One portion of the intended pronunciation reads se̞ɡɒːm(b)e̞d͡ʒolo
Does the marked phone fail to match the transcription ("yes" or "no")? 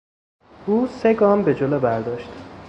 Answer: no